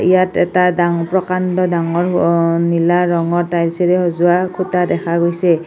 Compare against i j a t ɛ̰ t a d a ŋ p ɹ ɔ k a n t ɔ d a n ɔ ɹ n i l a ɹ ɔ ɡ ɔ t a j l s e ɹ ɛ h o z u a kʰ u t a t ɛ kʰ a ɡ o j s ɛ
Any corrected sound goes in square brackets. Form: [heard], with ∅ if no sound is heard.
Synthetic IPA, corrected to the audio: i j a t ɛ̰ t a d a ŋ p ɹ ɔ k a n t ɔ d a [ŋ] ɔ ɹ n i l a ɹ ɔ [ŋ] ɔ t a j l s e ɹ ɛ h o z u a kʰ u t a [d] ɛ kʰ a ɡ o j s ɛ